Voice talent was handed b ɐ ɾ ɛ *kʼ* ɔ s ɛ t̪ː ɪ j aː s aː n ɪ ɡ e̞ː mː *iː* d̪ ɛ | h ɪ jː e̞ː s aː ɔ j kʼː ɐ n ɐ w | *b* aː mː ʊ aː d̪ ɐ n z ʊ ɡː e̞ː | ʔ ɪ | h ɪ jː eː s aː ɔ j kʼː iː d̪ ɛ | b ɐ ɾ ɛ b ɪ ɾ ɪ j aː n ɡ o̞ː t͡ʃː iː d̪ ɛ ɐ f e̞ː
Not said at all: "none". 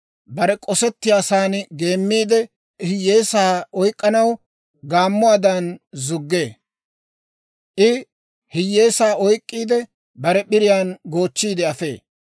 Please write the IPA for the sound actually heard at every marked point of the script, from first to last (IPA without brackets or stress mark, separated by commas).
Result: kʼ, iː, ɡ